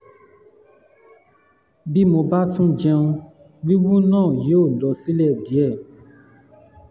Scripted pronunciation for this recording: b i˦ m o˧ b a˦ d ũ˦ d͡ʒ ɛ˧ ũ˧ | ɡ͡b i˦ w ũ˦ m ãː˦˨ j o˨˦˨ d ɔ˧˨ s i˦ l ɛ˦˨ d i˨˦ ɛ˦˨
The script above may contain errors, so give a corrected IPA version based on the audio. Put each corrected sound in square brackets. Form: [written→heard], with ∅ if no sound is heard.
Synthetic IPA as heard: b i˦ m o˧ b a˦ [d→t] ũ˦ d͡ʒ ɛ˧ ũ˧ | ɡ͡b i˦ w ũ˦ [m→n] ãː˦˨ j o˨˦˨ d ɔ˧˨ s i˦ l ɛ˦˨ d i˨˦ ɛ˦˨